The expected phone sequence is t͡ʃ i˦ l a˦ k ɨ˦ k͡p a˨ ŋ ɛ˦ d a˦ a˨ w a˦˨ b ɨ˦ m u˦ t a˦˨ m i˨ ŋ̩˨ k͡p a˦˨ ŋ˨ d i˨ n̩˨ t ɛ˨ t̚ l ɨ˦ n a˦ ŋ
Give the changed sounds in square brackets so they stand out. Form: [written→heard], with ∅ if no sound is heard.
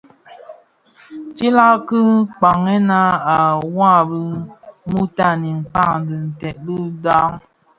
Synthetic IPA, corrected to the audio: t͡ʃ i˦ l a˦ k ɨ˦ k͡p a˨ ŋ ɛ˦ [d→n] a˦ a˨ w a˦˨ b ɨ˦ m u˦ t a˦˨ [m→n] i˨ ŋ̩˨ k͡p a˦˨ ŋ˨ d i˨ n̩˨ t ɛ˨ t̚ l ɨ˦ [n→d] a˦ ŋ